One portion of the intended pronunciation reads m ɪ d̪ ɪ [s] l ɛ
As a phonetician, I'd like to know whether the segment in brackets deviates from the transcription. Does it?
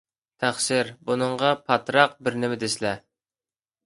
no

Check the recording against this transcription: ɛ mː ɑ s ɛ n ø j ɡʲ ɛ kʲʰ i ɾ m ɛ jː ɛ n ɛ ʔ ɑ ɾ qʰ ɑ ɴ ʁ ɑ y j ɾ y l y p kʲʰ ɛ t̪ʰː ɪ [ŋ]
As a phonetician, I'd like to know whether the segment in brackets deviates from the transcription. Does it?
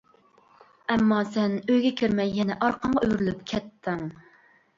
no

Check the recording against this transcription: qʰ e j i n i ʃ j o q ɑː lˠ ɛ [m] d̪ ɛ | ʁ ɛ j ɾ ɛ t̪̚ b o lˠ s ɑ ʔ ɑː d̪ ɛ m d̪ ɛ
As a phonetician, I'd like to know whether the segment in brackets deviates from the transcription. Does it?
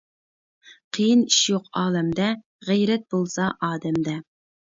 no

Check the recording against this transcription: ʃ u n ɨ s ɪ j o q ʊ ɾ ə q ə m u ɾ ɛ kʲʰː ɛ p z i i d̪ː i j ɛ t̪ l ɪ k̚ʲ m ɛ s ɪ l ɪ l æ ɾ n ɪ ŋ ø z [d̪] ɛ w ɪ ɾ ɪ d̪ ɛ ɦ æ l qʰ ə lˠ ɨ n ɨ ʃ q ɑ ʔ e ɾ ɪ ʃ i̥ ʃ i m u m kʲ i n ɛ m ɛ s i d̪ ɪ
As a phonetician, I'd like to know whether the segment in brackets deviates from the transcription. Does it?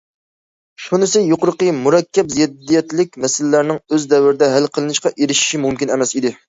no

